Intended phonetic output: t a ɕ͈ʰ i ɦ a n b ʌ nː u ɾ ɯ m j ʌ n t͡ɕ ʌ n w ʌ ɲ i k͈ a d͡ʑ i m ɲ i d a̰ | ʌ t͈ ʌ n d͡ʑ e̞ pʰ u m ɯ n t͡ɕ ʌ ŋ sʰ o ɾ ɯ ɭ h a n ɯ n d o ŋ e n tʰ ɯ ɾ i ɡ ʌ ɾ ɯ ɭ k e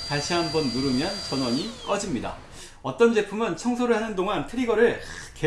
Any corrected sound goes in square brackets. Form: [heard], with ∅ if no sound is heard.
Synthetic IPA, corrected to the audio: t a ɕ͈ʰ i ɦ a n b ʌ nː u ɾ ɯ m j ʌ n t͡ɕ ʌ n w ʌ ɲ i k͈ [ʌ] d͡ʑ i m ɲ i d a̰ | ʌ t͈ ʌ n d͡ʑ e̞ pʰ u m ɯ n [t͡ɕʰ] ʌ ŋ sʰ o ɾ ɯ ɭ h a n ɯ n d o ŋ [a] n tʰ ɯ ɾ i ɡ ʌ ɾ ɯ ɭ k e